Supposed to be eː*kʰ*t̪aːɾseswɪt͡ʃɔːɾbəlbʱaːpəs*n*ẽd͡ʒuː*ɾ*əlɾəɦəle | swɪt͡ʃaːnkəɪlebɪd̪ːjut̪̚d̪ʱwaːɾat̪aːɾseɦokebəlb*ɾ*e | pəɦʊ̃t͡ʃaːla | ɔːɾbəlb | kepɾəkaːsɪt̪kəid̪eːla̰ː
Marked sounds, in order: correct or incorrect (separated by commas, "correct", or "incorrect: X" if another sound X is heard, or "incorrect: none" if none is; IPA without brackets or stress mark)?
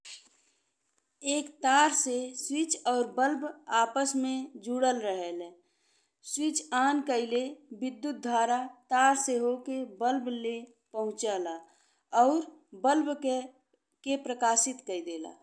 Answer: incorrect: k, incorrect: m, incorrect: ɽ, incorrect: l